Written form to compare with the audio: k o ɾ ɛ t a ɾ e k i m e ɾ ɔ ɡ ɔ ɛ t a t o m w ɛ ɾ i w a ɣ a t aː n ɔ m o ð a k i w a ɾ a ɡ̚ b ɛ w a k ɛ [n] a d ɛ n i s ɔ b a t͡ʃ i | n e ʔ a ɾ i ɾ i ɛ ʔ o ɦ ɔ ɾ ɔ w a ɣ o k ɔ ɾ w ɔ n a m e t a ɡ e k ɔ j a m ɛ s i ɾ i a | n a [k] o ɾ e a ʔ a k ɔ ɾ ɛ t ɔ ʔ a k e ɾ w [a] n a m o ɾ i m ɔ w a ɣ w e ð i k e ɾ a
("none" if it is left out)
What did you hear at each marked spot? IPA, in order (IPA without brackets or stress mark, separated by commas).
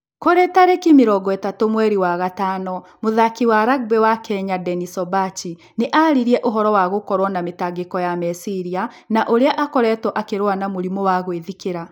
ɲ, ʔ, a